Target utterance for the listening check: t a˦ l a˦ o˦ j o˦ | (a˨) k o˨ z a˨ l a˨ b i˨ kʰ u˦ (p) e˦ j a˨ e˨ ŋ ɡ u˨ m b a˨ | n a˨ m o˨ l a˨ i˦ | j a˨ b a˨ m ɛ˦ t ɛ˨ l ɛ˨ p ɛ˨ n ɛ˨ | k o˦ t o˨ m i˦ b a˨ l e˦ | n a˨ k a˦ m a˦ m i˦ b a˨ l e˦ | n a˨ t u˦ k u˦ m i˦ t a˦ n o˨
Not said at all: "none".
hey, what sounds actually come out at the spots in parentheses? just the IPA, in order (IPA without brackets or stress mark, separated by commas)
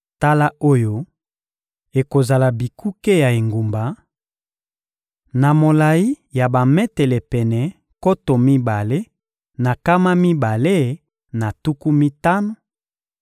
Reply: e˨, k